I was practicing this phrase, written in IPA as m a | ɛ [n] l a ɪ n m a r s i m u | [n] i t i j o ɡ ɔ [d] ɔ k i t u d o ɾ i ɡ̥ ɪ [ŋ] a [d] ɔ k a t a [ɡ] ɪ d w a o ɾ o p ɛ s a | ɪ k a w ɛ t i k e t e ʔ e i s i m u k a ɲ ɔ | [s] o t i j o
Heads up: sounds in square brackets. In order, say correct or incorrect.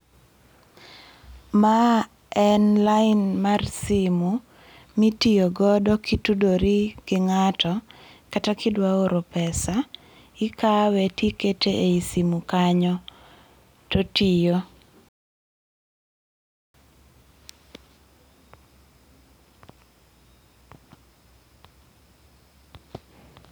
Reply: correct, incorrect, correct, correct, incorrect, incorrect, incorrect

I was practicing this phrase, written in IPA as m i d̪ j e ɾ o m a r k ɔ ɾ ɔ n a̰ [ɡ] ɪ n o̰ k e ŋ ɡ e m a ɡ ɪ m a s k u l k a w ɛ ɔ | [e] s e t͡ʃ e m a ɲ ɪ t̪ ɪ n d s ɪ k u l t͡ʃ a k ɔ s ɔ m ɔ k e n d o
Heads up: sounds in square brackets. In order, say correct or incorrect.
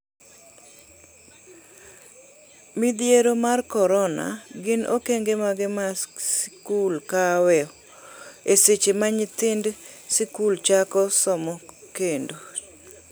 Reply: correct, correct

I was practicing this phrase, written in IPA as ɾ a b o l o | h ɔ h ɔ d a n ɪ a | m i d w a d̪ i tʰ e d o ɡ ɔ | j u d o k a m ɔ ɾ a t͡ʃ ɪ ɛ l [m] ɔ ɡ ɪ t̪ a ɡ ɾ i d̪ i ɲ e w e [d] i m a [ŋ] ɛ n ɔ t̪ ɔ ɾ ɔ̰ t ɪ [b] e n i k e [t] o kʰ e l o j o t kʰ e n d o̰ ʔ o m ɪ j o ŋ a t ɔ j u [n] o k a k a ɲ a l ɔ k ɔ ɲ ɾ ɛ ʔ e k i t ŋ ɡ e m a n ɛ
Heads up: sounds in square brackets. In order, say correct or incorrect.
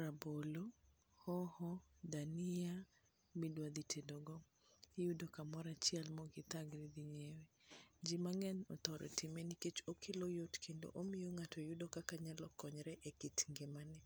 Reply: correct, incorrect, correct, incorrect, incorrect, incorrect

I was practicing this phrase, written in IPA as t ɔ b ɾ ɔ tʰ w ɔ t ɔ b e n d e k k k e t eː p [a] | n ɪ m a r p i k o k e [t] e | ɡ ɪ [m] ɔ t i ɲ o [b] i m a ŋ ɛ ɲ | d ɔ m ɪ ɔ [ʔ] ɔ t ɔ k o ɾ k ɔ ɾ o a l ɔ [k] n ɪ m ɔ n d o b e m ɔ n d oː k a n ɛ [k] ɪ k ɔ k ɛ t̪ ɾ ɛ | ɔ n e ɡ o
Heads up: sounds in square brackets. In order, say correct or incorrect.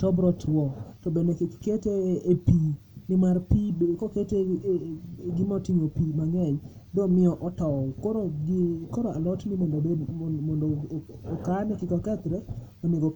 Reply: incorrect, correct, correct, incorrect, correct, incorrect, correct

